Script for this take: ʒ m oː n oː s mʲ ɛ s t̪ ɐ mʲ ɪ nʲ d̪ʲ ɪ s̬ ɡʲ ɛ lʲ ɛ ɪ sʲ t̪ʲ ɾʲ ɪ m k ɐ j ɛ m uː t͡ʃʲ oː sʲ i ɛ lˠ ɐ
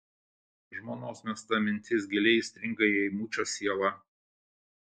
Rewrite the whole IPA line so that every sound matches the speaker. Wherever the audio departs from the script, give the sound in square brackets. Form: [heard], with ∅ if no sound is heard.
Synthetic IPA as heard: ʒ m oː n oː s mʲ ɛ s t̪ ɐ mʲ ɪ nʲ [t̪ʲ] ɪ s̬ ɡʲ ɛ lʲ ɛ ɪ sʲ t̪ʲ ɾʲ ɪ [ŋ] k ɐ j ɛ m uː t͡ʃʲ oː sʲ i ɛ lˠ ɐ